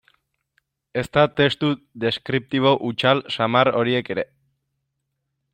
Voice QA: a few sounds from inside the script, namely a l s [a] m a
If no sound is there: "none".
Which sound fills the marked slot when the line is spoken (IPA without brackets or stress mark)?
a